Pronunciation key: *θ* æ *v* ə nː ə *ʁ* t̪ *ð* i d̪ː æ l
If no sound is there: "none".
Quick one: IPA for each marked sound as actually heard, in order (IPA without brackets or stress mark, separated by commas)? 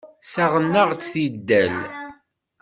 s, ʁ, ʁ, θ